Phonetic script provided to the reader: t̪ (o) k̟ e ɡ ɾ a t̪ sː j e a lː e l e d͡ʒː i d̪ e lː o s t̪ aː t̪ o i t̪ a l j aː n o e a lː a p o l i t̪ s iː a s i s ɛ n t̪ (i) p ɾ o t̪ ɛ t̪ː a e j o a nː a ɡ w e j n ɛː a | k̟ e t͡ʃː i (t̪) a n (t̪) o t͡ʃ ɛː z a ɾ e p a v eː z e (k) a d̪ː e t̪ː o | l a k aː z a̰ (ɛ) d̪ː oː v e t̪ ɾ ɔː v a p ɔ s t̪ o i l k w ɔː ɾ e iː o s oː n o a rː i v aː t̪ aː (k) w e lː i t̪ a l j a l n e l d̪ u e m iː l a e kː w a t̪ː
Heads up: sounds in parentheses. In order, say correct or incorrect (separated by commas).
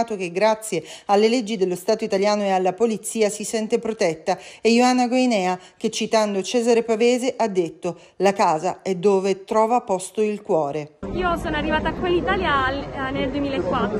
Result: correct, incorrect, correct, incorrect, incorrect, correct, correct